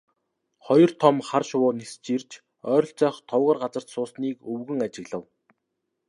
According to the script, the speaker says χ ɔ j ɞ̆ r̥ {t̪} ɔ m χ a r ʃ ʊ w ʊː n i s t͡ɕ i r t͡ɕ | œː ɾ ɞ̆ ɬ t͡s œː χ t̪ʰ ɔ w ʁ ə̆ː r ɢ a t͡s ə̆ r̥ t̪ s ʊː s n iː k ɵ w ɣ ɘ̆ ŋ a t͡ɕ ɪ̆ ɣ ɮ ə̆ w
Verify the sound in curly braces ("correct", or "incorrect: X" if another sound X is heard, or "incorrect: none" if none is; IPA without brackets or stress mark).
incorrect: t̪ʰ